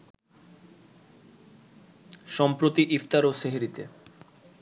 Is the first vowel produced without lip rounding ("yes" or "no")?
no